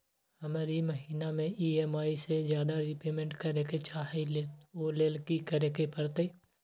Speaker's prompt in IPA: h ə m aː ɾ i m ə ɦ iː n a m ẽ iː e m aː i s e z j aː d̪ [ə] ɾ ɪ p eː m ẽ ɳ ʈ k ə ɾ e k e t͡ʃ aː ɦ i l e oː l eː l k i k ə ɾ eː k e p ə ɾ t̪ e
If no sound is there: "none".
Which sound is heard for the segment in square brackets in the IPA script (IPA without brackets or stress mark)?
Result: a